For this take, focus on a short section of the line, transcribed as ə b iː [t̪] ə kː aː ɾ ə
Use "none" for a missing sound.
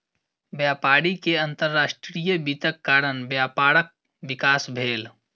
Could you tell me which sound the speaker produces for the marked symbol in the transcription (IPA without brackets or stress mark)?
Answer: t̪